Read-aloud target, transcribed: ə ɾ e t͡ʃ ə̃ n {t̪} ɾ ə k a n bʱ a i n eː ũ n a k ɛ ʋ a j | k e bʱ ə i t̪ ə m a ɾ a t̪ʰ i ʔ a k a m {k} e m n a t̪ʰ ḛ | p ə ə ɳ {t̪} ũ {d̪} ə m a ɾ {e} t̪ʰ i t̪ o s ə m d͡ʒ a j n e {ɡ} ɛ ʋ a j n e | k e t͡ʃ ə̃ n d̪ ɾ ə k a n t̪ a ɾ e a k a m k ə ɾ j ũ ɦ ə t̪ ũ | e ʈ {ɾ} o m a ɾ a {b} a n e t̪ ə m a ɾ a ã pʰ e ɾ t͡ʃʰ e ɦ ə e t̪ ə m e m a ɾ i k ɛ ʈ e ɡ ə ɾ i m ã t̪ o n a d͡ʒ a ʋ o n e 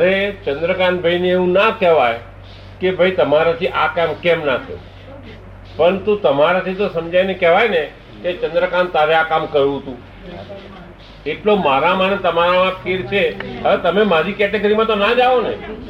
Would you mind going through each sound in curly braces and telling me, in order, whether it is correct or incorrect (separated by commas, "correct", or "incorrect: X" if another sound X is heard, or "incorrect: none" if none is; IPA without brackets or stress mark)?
incorrect: d̪, correct, correct, incorrect: t̪, incorrect: a, incorrect: k, incorrect: l, incorrect: m